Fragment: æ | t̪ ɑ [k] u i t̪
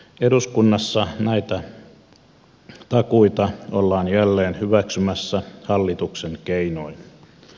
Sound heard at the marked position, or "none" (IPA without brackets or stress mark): k